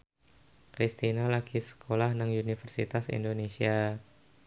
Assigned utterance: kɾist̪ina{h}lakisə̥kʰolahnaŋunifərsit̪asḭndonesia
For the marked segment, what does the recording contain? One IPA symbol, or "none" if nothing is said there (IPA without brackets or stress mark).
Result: none